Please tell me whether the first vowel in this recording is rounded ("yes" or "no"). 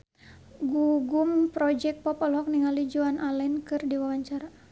yes